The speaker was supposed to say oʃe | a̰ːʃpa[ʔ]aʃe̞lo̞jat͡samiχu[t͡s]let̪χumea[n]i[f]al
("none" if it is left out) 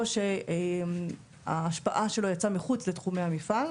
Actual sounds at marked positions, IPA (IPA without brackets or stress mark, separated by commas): ʔ, t͡s, m, f